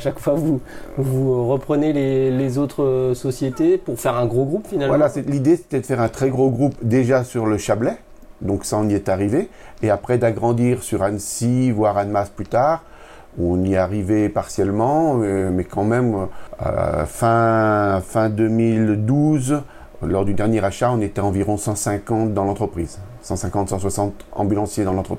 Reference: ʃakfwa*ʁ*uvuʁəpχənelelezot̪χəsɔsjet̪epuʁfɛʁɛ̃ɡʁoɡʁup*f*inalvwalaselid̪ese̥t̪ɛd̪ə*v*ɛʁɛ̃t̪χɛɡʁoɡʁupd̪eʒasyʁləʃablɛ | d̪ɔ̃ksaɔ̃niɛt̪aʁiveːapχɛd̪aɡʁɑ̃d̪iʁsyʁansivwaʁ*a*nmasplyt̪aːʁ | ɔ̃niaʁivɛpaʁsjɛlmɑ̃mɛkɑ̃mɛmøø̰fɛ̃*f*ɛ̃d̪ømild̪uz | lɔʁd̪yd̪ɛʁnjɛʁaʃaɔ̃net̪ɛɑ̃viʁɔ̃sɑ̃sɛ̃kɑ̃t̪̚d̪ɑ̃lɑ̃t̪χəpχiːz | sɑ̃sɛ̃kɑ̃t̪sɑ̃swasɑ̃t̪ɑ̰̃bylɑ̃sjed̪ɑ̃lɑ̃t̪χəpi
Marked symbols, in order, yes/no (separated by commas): no, yes, no, yes, yes